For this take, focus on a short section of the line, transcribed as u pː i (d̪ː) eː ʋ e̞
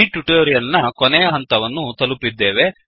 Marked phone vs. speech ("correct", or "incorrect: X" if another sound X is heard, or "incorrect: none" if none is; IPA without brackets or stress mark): correct